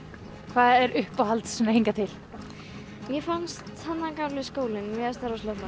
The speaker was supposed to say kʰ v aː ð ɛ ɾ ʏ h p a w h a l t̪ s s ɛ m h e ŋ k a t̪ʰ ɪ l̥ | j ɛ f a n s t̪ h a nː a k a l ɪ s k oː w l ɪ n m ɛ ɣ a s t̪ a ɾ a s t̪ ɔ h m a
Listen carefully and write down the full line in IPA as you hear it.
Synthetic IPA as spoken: kʰ v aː ð ɛ ɾ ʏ h p a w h a l t̪ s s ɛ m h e ŋ k a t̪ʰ ɪ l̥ | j ɛ f a n s t̪ h a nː a k a l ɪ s k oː w l ɪ n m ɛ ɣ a s t̪ a ɾ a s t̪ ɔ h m a